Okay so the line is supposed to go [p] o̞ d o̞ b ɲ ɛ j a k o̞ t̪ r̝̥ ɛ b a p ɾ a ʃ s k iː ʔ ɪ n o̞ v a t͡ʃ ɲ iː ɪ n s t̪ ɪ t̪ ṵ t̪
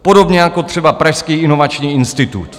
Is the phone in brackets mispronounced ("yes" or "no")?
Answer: no